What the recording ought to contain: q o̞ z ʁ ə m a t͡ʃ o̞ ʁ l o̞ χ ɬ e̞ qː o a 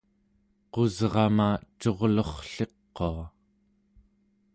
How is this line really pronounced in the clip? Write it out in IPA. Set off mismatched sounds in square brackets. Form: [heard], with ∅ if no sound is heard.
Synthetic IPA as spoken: q o̞ z ʁ [ɑ] m a t͡ʃ o̞ ʁ l o̞ χ ɬ e̞ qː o a